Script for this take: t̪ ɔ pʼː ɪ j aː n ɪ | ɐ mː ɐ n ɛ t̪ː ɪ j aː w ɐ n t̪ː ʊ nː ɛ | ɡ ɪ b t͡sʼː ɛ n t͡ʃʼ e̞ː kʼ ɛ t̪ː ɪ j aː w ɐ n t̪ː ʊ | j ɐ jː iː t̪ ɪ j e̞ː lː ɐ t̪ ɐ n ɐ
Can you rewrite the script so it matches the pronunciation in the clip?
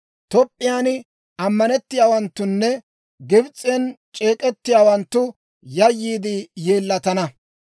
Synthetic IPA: t̪ ɔ pʼː ɪ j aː n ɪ | ɐ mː ɐ n ɛ t̪ː ɪ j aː w ɐ n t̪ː ʊ nː ɛ | ɡ ɪ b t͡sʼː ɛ n t͡ʃʼ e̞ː kʼ ɛ t̪ː ɪ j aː w ɐ n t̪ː ʊ | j ɐ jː iː d̪ ɪ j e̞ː lː ɐ t̪ ɐ n ɐ